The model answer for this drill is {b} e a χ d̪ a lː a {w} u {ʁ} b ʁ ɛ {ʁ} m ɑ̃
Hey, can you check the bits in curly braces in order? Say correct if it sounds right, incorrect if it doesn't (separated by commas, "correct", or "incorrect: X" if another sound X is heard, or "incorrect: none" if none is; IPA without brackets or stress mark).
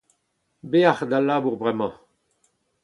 correct, incorrect: b, correct, incorrect: none